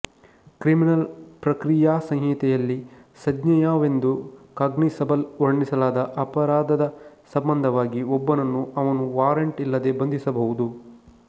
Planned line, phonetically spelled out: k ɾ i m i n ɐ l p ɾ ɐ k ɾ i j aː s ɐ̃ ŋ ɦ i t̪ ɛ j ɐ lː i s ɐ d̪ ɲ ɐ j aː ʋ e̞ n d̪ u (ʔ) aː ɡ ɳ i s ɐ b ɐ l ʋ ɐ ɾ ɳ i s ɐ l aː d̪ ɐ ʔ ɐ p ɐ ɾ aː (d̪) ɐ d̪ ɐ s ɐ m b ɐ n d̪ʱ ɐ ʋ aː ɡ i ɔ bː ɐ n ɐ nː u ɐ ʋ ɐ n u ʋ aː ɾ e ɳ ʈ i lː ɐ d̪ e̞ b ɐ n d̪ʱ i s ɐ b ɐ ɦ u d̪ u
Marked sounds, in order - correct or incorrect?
incorrect, correct

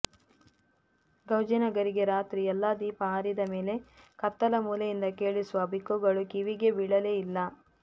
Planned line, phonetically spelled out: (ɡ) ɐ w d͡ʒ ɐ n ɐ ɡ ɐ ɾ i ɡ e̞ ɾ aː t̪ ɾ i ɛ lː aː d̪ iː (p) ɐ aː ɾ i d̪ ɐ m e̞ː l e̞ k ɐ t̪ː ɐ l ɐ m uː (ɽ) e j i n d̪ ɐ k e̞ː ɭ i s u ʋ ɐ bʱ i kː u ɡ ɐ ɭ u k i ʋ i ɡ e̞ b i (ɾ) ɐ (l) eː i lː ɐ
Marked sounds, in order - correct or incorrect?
correct, correct, incorrect, incorrect, correct

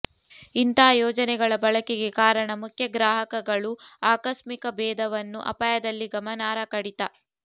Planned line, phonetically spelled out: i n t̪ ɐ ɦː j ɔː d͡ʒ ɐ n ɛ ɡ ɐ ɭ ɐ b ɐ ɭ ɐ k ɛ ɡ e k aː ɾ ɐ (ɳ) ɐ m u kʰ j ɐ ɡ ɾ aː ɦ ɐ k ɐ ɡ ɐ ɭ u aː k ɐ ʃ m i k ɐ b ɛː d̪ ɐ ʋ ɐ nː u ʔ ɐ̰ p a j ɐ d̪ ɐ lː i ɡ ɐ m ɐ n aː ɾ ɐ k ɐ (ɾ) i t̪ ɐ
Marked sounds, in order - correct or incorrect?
correct, incorrect

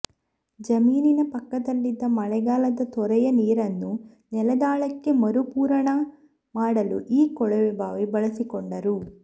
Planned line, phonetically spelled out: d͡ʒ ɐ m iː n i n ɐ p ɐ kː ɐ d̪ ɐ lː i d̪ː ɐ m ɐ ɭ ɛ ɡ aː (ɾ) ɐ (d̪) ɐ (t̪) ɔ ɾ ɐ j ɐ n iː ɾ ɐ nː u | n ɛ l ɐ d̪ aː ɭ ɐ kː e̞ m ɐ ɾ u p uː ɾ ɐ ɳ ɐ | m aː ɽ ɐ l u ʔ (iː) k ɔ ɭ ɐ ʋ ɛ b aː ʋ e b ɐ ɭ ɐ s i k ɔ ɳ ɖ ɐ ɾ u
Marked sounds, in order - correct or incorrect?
incorrect, correct, correct, correct

